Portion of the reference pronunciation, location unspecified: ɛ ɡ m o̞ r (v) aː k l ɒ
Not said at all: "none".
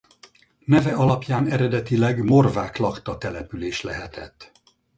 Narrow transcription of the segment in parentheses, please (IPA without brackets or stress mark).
v